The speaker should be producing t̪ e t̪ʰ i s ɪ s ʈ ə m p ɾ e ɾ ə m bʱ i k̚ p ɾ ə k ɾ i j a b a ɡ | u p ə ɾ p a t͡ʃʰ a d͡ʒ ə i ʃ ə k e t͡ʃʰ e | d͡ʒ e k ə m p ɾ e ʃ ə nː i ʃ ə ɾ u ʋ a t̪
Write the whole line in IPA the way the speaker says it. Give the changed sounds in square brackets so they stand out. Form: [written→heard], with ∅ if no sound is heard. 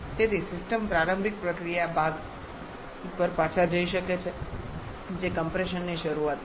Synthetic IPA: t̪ e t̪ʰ i s ɪ s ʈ ə m p ɾ [e→a] ɾ ə m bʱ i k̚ p ɾ ə k ɾ i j a b a ɡ | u p ə ɾ p a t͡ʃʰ a d͡ʒ ə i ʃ ə k e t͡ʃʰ e | d͡ʒ e k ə m p ɾ e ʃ ə nː i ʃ ə ɾ u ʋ a t̪